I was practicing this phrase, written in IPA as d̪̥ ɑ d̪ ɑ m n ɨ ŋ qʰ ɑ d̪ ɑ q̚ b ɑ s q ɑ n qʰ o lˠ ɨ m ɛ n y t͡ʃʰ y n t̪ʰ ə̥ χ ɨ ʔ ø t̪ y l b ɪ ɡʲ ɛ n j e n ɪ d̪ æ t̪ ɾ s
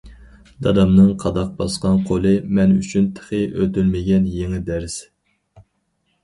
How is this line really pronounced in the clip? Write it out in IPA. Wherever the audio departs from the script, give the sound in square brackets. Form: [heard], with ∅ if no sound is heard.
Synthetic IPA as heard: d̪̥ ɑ d̪ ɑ m n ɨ ŋ qʰ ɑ d̪ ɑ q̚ b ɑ s q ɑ n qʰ o lˠ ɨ m ɛ n y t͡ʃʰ y n t̪ʰ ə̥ χ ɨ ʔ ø t̪ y l [m] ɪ ɡʲ ɛ n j e [ŋ] ɪ d̪ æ [∅] ɾ s